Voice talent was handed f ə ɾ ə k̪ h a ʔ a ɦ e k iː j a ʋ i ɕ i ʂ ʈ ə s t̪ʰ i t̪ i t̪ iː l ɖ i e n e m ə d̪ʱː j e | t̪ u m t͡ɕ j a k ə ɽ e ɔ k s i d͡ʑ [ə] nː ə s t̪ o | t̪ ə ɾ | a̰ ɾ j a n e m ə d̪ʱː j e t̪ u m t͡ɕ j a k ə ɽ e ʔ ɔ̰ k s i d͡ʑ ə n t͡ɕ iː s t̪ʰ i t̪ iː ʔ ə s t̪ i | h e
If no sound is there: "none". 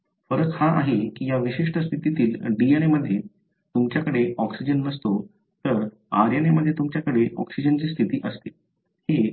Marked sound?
ə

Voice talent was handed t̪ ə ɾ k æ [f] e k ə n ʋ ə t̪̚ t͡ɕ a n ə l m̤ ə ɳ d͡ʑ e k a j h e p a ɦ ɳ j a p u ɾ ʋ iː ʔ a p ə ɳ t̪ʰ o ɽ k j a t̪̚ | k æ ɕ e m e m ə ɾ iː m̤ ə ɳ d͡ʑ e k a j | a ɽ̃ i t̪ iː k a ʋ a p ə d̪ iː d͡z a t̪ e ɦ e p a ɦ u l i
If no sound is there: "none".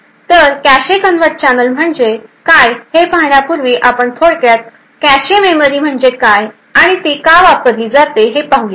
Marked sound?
ɕ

